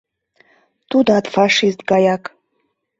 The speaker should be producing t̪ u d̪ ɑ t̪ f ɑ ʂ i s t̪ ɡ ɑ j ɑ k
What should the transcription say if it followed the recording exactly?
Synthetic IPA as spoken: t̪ u d̪ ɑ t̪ f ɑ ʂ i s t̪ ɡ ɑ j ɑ k